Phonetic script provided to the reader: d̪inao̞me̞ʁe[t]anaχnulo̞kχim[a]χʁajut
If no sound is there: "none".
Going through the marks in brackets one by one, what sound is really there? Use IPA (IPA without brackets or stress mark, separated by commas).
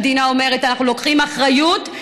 t, a